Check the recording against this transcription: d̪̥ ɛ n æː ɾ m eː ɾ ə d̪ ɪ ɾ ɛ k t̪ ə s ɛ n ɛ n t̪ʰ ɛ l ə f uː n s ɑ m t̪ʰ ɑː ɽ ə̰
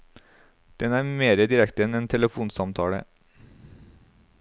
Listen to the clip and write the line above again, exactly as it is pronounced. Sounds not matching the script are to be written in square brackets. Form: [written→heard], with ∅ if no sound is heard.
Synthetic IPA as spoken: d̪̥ ɛ n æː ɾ m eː ɾ ə d̪ ɪ ɾ ɛ k t̪ ə [s→∅] ɛ n ɛ n t̪ʰ ɛ l ə f uː n s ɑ m t̪ʰ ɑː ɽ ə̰